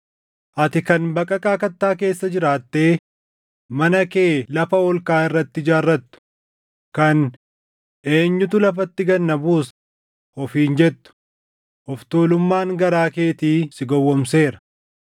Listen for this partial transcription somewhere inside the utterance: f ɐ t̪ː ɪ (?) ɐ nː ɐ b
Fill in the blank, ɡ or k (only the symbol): ɡ